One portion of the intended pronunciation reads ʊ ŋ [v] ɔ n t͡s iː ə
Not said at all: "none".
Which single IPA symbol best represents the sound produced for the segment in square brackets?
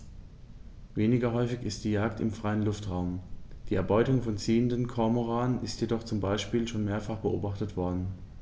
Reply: f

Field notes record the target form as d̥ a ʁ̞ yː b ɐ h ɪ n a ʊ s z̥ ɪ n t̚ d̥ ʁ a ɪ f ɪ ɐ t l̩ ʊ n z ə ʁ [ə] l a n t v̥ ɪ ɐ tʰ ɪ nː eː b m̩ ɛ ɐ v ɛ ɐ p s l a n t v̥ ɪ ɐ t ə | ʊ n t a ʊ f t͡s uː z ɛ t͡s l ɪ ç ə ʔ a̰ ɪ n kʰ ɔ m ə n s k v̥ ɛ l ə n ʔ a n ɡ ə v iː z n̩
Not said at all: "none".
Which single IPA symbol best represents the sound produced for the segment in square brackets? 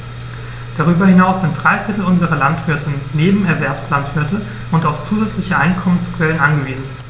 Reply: ɐ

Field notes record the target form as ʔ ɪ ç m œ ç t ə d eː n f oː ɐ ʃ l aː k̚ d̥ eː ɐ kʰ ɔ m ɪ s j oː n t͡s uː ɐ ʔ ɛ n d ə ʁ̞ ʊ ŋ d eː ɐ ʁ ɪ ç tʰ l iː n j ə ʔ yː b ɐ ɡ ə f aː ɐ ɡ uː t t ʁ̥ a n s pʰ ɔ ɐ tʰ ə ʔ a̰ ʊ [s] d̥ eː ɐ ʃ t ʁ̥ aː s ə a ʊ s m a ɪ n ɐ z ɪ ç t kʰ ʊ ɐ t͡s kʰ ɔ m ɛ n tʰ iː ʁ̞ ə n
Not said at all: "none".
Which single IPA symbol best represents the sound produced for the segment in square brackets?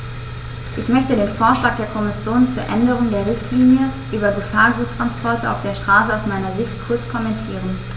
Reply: f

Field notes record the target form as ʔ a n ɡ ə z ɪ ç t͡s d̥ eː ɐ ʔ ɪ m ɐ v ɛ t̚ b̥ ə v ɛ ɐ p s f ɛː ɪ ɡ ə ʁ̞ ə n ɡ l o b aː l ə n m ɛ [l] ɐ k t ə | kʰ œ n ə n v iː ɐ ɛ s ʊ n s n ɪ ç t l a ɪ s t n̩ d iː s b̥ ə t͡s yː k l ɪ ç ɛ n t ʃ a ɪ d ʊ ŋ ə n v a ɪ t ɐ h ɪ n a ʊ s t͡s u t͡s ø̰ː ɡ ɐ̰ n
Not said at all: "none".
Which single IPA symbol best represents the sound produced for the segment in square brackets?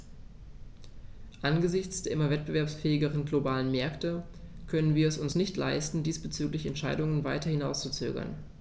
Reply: none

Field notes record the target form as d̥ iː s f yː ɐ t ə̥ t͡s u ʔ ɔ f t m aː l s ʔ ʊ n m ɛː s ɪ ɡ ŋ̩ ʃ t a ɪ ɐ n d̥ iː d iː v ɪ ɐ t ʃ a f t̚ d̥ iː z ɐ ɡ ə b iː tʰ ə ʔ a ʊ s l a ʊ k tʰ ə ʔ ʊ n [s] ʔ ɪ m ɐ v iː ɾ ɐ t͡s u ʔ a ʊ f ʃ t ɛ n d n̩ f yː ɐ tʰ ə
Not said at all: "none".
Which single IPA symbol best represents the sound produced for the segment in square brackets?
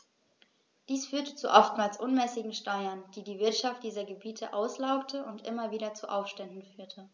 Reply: t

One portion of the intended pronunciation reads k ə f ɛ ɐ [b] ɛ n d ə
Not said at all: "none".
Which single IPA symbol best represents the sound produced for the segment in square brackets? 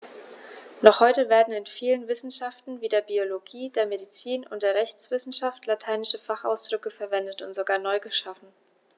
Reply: v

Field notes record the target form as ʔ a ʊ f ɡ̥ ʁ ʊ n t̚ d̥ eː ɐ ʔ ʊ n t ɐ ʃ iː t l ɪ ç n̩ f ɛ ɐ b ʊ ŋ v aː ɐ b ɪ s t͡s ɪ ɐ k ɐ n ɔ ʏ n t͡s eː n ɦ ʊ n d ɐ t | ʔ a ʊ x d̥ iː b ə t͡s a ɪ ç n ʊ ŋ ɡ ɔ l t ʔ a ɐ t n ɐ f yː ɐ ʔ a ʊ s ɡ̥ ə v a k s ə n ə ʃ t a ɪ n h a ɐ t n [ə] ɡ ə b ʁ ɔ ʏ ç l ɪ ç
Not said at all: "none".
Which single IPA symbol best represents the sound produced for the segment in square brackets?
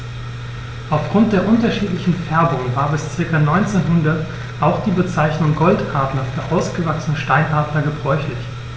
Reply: ɐ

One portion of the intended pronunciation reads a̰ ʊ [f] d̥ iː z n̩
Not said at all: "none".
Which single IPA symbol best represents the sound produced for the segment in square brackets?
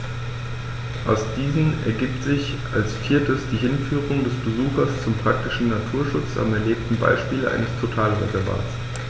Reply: s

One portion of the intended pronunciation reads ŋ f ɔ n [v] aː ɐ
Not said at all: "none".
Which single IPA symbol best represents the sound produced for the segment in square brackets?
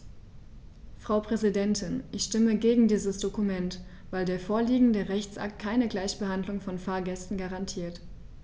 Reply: f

